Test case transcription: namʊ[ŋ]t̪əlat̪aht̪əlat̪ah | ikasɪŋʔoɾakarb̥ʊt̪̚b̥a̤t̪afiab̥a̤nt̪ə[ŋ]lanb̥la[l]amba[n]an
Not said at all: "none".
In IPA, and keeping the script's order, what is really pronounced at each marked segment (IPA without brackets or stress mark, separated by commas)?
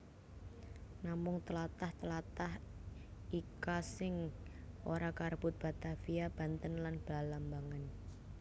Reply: ŋ, n, l, ŋ